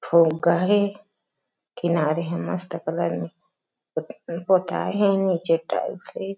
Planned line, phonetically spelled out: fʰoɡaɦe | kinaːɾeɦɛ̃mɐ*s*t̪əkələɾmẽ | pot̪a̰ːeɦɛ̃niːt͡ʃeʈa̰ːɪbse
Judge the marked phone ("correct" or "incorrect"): correct